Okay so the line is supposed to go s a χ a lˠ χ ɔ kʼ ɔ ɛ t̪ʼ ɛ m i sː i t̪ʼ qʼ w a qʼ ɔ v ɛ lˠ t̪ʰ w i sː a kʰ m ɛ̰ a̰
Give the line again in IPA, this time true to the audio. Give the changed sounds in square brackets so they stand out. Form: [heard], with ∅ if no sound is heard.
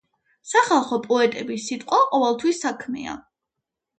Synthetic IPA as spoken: s a χ a lˠ χ ɔ [pʼ] ɔ ɛ t̪ʼ ɛ [b] i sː i t̪ʼ qʼ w a qʼ ɔ v ɛ lˠ t̪ʰ w i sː a kʰ m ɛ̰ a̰